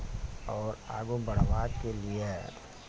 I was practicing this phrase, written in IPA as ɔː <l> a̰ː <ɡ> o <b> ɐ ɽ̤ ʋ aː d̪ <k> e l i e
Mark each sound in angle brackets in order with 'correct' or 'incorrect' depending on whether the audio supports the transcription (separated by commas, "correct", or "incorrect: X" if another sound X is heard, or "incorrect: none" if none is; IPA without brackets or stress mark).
incorrect: ɾ, correct, correct, correct